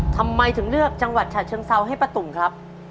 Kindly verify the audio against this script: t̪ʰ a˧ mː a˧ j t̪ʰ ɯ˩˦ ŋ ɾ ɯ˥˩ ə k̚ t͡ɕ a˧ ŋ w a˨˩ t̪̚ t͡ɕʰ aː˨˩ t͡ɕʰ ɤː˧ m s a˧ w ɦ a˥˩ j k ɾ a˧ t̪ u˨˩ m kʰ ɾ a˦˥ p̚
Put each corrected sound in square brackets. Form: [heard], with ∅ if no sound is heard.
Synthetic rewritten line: t̪ʰ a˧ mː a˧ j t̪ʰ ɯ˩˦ ŋ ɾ ɯ˥˩ ə k̚ t͡ɕ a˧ ŋ w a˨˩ t̪̚ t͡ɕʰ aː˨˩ t͡ɕʰ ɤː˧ [ŋ] s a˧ w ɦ a˥˩ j [p] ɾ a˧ t̪ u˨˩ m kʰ ɾ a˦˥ p̚

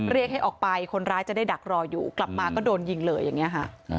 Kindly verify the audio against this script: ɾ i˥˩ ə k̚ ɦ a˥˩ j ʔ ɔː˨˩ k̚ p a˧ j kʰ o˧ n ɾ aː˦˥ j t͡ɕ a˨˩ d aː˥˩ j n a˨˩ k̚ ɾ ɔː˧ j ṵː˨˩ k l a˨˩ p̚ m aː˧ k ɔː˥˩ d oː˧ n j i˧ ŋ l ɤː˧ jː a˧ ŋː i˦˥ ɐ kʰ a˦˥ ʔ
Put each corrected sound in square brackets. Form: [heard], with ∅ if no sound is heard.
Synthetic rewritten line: ɾ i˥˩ ə k̚ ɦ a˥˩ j ʔ ɔː˨˩ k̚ p a˧ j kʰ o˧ n ɾ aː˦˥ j t͡ɕ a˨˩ d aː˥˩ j [d] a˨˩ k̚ ɾ ɔː˧ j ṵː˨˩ k l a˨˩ p̚ m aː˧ k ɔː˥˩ d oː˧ n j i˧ ŋ l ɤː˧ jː [a˨˩] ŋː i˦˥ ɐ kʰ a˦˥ ʔ

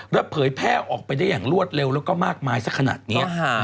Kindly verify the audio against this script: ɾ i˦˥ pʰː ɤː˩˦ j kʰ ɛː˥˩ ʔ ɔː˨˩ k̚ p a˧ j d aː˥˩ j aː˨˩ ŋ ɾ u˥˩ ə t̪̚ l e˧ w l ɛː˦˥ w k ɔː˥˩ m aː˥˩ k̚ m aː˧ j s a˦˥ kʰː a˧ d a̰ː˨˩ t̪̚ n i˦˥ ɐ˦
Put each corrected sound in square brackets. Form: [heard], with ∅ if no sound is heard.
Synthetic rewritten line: ɾ [a˦˥] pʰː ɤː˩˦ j [pʰ] ɛː˥˩ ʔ ɔː˨˩ k̚ p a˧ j d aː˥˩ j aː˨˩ ŋ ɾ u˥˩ ə t̪̚ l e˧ w l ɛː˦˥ w k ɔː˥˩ m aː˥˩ k̚ m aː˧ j s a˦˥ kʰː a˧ [n] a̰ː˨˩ t̪̚ n i˦˥ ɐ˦

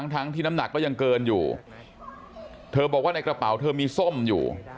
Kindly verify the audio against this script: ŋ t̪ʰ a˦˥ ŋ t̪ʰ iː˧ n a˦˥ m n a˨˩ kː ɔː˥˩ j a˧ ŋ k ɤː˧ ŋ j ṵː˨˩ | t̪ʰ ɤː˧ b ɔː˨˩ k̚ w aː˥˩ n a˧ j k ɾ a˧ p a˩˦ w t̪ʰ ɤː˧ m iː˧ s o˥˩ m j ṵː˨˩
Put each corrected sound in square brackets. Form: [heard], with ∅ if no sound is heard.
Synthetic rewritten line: ŋ t̪ʰ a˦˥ ŋ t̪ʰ [iː˥˩] n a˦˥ m n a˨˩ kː ɔː˥˩ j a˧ ŋ k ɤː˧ [n] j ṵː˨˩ | t̪ʰ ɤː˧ b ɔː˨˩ k̚ w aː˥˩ n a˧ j k ɾ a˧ p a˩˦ w t̪ʰ ɤː˧ m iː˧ s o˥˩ m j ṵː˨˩

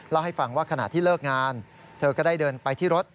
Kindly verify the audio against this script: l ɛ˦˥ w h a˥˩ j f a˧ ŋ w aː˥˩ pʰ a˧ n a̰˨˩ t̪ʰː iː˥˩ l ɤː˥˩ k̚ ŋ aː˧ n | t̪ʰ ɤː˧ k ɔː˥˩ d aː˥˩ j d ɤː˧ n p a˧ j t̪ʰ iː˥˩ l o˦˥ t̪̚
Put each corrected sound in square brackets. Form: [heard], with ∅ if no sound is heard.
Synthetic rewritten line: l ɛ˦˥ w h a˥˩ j f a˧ ŋ w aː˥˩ [kʰ] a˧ n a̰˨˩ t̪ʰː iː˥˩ l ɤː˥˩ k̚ ŋ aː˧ n | t̪ʰ ɤː˧ k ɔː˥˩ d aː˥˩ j d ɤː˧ n p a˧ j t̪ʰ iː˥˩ [ɾ] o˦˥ t̪̚

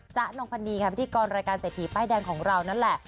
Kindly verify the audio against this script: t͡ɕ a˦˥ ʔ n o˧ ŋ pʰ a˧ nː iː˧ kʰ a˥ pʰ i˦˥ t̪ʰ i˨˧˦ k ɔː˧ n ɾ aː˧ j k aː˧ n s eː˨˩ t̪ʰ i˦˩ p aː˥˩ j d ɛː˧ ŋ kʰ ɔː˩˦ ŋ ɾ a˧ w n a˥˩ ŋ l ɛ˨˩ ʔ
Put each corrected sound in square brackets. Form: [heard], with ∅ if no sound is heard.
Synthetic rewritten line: t͡ɕ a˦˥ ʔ n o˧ ŋ pʰ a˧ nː iː˧ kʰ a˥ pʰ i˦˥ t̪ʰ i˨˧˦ k ɔː˧ n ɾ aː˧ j k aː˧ n s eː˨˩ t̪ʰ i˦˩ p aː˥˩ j d ɛː˧ ŋ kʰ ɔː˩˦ ŋ ɾ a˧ w n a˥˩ [n] l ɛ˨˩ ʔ

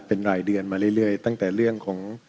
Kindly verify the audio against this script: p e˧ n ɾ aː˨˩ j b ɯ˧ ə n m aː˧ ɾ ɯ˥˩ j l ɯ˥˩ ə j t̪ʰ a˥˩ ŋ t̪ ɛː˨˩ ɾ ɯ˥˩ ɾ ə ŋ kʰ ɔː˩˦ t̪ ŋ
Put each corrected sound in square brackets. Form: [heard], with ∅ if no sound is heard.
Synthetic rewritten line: p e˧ n ɾ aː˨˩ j [d] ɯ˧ ə n m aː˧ ɾ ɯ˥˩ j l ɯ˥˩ ə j [t̪] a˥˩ ŋ t̪ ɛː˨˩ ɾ ɯ˥˩ [∅] ə ŋ kʰ ɔː˩˦ [∅] ŋ

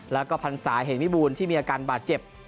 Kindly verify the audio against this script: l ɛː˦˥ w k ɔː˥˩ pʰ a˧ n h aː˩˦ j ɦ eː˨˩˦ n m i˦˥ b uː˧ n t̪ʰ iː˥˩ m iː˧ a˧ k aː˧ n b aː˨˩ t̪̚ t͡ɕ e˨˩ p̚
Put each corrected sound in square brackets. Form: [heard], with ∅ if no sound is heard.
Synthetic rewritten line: l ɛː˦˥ w k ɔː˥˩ pʰ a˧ n [s] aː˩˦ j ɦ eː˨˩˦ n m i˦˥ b uː˧ n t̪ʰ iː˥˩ m iː˧ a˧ k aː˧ n b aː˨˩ t̪̚ t͡ɕ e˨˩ p̚

